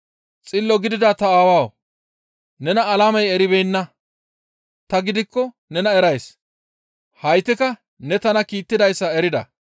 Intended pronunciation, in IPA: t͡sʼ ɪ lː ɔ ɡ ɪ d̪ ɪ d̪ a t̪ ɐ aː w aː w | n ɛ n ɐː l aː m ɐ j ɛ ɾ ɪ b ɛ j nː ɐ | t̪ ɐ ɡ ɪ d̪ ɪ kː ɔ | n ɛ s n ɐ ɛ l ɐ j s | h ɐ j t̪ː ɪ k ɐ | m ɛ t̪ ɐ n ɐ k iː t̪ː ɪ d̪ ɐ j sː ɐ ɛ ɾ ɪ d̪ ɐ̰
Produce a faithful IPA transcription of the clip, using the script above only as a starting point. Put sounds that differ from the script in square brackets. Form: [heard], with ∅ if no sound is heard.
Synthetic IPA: t͡sʼ ɪ lː ɔ ɡ ɪ d̪ ɪ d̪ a t̪ ɐ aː w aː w | n ɛ n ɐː l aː m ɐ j ɛ ɾ ɪ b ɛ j nː ɐ | t̪ ɐ ɡ ɪ d̪ ɪ kː ɔ | n ɛ [∅] n ɐ ɛ [ɾ] ɐ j s | h ɐ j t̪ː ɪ k ɐ | [n] ɛ t̪ ɐ n ɐ k iː t̪ː ɪ d̪ ɐ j sː ɐ ɛ ɾ ɪ d̪ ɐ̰